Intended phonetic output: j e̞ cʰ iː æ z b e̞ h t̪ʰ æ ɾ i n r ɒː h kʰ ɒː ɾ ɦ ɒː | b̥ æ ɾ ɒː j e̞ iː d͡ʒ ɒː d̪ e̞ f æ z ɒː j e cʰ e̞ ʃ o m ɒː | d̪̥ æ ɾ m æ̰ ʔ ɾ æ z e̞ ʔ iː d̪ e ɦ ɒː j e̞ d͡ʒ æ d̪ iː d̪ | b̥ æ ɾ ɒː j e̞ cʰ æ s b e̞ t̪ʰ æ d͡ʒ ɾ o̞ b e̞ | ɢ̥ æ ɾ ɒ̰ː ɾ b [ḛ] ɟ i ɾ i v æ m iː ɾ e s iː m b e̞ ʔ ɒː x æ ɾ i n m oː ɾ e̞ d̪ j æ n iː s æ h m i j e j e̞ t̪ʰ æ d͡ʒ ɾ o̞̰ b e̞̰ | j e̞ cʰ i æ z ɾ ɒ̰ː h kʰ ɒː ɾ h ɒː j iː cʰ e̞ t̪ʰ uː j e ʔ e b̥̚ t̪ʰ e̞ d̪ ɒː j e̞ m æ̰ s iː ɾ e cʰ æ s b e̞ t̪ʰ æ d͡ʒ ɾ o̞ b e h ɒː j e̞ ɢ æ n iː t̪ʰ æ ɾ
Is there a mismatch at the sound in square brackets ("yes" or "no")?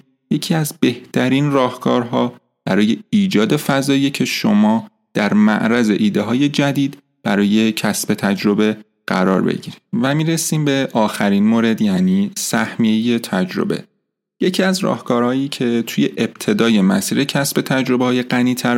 no